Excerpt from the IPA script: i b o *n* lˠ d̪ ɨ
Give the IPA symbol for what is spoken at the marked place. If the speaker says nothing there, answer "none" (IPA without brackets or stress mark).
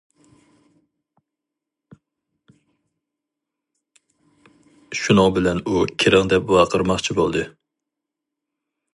none